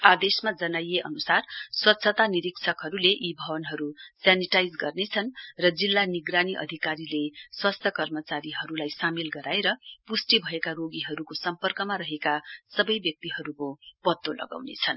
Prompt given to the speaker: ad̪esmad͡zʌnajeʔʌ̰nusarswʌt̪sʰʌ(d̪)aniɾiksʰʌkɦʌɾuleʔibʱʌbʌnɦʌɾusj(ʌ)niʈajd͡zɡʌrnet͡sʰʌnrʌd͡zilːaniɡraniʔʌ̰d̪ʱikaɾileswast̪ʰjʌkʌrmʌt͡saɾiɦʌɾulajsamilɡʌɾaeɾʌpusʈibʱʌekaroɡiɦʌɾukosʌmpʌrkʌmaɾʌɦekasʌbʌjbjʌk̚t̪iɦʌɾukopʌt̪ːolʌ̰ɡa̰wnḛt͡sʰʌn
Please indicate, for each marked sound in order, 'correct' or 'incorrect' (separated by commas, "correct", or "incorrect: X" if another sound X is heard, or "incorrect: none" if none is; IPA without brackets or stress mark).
incorrect: t̪, incorrect: a